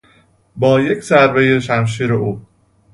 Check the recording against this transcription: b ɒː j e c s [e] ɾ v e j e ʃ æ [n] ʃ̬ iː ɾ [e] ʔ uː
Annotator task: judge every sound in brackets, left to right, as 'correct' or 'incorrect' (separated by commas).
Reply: incorrect, incorrect, correct